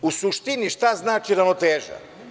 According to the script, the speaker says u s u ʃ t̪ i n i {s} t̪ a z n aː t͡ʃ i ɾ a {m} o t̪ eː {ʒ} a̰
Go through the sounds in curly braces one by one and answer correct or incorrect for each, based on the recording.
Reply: incorrect: ʃ, incorrect: n, correct

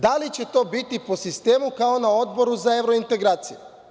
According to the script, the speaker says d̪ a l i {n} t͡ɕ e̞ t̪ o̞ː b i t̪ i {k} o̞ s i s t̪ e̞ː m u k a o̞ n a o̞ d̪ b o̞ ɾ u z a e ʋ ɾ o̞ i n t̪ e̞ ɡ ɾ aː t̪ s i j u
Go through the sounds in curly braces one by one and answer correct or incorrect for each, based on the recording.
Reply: incorrect: none, incorrect: p

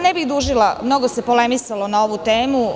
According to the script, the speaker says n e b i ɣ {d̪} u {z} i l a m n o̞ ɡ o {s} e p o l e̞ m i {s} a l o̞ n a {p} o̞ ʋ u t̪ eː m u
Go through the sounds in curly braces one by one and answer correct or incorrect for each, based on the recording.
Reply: correct, incorrect: ʒ, correct, correct, incorrect: none

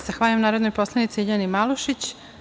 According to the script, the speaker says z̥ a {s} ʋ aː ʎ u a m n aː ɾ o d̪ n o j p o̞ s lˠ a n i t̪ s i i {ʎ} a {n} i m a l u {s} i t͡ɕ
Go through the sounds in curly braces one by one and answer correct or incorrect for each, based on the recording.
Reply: incorrect: x, correct, correct, incorrect: ʃ

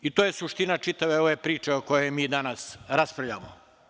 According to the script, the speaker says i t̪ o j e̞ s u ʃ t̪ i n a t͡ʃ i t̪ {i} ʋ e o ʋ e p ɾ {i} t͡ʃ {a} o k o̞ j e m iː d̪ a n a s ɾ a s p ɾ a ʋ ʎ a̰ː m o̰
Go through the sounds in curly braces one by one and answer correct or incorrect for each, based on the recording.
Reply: incorrect: a, incorrect: iː, incorrect: e

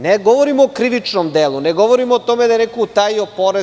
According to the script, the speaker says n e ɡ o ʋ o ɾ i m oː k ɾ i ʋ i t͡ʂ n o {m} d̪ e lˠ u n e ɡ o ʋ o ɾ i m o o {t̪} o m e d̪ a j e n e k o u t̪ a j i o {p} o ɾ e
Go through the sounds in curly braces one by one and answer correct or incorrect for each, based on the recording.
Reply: correct, correct, correct

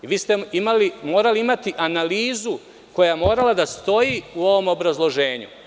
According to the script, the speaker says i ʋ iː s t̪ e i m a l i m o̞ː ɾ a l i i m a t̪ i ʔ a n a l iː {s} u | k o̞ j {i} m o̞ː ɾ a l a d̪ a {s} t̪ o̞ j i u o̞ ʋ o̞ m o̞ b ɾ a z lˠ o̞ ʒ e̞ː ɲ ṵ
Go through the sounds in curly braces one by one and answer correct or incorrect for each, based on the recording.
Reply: incorrect: z, incorrect: a, correct

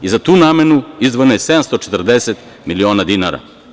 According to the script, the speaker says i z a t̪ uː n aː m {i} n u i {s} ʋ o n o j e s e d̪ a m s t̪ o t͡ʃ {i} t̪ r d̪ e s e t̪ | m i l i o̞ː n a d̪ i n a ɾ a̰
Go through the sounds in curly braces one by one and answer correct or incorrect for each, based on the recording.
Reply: incorrect: e, incorrect: z, incorrect: e

